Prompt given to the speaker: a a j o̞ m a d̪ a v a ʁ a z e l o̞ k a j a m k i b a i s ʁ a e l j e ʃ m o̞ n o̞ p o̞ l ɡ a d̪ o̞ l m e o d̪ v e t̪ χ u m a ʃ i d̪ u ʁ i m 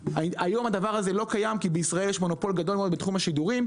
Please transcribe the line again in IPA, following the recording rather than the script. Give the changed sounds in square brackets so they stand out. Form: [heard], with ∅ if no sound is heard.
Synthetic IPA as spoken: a a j o̞ m a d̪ a v a ʁ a z e l o̞ k a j a m k i b [e] i s ʁ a e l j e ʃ m o̞ n o̞ p o̞ l ɡ a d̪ o̞ l m e o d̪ [b] e t̪ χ u m a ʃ i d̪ u ʁ i m

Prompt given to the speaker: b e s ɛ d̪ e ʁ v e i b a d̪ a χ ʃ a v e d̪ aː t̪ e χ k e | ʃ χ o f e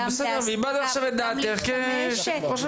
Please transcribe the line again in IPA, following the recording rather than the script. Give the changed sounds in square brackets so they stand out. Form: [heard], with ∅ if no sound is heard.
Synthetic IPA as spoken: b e s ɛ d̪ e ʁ v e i b a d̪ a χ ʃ a v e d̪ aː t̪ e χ k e | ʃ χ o [ʃ] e

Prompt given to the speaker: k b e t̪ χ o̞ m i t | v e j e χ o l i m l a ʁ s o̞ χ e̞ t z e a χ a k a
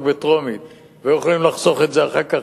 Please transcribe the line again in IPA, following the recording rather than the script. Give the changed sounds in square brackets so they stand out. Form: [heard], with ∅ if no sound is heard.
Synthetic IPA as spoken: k b e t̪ [ʁ] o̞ m i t | v e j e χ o l i m l a [χ] s o̞ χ e̞ t z e a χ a k a

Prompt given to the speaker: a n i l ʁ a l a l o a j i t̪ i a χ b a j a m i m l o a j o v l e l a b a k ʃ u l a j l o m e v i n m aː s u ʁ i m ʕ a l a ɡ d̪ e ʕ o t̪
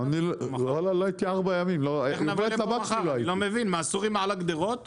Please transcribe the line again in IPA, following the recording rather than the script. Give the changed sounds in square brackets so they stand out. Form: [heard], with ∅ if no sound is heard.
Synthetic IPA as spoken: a n i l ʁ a l a l o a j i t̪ i a [ʁ] b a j a m i m l o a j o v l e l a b a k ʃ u l a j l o m e v i n m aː s u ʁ i m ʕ a l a ɡ d̪ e [ʁ] o t̪

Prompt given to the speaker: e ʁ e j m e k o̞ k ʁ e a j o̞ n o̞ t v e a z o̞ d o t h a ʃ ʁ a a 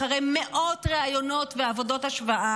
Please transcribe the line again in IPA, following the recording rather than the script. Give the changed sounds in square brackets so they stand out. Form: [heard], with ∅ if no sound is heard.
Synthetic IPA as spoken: [a] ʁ e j m e [ʔ] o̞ [t] ʁ e a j o̞ n o̞ t v e a [v] o̞ d o t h a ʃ [v] a a

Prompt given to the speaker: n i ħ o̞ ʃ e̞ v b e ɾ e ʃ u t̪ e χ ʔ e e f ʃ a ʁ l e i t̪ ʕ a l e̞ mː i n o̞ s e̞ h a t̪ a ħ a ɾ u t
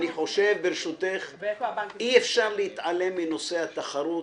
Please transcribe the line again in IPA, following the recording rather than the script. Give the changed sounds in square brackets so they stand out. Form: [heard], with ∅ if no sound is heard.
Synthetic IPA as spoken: n i ħ o̞ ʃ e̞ v b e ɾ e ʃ u t̪ e χ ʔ [i] e f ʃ a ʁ l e i t̪ ʕ a l e̞ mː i n o̞ s e̞ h a t̪ a [χ] a ɾ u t

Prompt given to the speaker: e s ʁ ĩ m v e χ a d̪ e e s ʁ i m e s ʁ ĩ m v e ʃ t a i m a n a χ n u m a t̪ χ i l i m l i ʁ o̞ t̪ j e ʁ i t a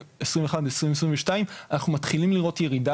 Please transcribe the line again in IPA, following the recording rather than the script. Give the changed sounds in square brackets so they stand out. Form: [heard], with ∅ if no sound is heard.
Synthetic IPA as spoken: e s ʁ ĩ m v e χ a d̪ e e s ʁ i m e s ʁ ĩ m v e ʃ t a i m a n a χ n u m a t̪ χ i l i m l i ʁ o̞ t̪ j e ʁ i [d] a

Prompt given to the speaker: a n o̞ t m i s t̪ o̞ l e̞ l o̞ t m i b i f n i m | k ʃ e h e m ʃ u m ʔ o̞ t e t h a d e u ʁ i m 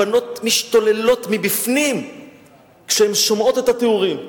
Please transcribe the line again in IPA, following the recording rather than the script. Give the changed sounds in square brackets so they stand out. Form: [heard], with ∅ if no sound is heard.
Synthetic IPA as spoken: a n o̞ t m i [ʃ] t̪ o̞ l e̞ l o̞ t m i b i f n i m | k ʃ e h e m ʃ [o] m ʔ o̞ t e t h a [t] e u ʁ i m

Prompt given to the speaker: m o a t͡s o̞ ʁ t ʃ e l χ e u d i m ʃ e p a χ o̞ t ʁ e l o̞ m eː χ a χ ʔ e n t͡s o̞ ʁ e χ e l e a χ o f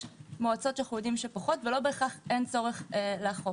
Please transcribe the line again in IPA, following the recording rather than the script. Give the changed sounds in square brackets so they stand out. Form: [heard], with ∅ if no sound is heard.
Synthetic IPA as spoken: m o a t͡s o̞ [∅] t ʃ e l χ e u d i m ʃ e p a χ o̞ t [v] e l o̞ [b] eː χ a χ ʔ e n t͡s o̞ ʁ e χ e l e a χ o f

